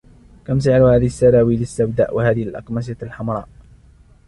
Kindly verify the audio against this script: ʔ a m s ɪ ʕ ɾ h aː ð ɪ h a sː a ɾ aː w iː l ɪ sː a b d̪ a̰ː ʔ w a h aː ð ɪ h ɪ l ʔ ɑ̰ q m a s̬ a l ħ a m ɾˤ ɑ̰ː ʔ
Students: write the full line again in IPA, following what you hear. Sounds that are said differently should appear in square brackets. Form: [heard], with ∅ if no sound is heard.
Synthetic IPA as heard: [k] a m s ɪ ʕ ɾ h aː ð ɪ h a sː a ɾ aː w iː l ɪ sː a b d̪ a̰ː ʔ w a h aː ð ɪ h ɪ l ʔ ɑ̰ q m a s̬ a l ħ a m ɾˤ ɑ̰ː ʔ